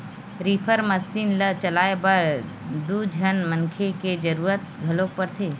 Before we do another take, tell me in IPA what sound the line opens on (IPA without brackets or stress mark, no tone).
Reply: ɾ